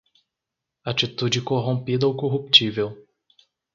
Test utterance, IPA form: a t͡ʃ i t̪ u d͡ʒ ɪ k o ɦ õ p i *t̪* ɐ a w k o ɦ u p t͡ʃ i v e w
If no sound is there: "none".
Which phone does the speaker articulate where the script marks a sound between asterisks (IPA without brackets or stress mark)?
d̪